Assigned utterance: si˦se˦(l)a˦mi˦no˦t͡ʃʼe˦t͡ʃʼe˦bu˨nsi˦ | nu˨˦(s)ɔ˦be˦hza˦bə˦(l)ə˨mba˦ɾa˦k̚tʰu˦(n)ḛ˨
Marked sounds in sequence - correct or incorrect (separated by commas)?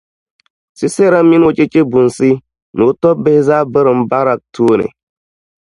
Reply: incorrect, incorrect, incorrect, correct